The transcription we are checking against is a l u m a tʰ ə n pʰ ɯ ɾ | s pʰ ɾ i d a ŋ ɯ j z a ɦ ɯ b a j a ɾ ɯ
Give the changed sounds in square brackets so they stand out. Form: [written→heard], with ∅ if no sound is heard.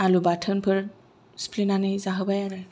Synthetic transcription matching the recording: a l u [m→b] a tʰ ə n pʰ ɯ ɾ | s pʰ [ɾ→l] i [d→n] a [ŋ→n] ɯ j z a ɦ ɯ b a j a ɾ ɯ